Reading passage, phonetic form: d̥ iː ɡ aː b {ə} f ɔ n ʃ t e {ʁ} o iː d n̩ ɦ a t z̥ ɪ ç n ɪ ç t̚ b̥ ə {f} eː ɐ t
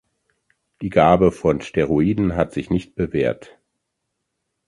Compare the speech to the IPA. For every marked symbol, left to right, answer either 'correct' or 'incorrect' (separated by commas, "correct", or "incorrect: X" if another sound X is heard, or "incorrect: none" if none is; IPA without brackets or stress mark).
correct, correct, incorrect: v